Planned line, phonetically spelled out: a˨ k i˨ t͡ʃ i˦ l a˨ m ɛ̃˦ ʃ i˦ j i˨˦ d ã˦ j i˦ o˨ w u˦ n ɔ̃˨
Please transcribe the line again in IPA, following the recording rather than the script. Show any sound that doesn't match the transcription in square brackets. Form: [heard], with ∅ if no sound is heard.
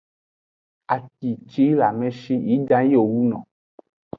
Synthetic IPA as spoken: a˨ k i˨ t͡ʃ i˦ l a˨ m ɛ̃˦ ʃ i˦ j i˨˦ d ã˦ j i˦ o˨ w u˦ n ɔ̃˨